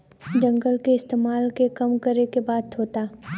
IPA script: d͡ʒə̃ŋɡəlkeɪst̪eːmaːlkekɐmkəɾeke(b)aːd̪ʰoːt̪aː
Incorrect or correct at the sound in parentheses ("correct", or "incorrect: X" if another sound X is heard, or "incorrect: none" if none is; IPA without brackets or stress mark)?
correct